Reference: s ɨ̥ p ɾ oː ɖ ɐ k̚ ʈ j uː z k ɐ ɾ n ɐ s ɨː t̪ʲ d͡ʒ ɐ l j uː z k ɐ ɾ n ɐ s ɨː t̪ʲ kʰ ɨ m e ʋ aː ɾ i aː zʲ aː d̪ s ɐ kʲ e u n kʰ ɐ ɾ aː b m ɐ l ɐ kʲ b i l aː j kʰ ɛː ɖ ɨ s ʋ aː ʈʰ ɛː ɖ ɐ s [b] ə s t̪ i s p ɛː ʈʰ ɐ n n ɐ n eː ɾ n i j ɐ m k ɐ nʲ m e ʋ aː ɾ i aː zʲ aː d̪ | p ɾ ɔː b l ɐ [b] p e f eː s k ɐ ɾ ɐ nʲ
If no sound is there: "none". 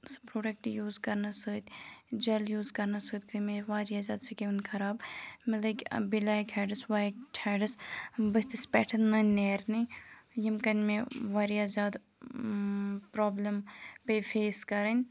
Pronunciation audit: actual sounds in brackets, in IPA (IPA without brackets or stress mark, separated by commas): b, m